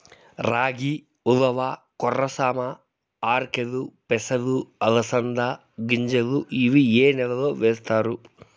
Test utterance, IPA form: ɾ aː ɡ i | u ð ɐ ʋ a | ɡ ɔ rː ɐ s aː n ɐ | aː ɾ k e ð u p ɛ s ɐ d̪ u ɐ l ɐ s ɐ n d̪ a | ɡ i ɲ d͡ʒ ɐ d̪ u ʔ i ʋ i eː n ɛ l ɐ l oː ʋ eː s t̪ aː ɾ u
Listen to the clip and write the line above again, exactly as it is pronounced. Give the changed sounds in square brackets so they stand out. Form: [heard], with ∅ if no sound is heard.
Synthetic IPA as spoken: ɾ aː ɡ i | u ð ɐ ʋ a | [k] ɔ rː ɐ s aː [m] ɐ | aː ɾ k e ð u p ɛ s ɐ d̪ u ɐ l ɐ s ɐ n d̪ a | ɡ i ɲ d͡ʒ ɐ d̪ u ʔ i ʋ i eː n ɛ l ɐ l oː ʋ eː s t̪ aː ɾ u